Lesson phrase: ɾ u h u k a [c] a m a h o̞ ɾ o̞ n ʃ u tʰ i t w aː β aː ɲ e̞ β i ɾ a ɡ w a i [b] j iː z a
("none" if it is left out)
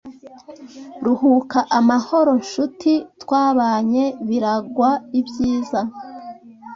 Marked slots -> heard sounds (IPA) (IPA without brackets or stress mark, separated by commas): ʔ, b